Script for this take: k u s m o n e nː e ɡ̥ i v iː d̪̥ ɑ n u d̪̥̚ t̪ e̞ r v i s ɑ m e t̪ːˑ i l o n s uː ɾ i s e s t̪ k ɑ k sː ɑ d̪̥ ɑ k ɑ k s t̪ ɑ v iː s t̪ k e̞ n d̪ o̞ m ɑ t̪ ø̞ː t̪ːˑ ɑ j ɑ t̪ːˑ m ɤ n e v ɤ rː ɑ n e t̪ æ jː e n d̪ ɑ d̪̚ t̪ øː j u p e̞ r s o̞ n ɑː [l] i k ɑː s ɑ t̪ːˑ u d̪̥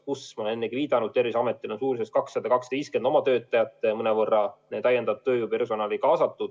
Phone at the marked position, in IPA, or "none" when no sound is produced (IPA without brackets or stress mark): l